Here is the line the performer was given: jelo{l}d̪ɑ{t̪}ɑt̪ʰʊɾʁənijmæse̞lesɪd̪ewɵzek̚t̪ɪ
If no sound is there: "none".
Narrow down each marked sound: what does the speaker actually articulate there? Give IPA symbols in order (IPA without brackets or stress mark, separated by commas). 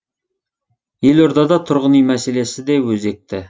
ɾ, d̪